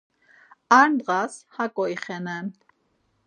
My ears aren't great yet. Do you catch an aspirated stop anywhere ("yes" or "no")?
no